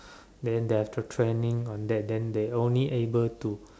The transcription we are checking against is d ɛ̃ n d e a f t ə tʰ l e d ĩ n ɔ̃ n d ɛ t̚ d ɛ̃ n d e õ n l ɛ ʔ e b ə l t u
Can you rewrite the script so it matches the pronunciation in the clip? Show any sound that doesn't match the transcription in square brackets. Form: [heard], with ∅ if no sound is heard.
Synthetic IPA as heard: d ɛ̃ n d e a f t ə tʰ [ɹ] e [n] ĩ [ŋ] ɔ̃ n d ɛ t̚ d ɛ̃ n d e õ n l [i] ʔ e b ə l t u